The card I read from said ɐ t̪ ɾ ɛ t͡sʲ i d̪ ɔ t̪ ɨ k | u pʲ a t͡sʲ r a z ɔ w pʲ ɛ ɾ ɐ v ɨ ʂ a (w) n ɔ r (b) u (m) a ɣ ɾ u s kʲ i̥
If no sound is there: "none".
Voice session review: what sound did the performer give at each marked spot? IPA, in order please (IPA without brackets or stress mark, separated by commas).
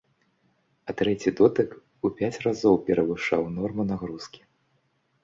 w, m, n